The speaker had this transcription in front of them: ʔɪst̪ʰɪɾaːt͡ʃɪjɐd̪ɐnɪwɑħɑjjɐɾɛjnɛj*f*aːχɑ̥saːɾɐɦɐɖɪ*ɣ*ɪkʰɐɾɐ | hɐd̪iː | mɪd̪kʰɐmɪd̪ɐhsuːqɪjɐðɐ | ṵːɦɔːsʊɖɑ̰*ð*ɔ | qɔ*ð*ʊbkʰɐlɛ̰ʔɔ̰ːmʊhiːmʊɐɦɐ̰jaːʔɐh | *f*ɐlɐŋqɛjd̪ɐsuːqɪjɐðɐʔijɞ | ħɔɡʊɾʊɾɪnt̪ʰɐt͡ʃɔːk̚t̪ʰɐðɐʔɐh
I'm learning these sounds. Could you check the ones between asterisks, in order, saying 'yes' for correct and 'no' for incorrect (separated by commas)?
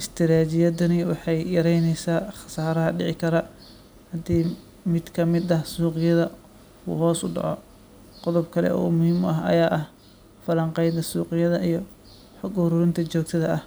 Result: no, no, no, yes, yes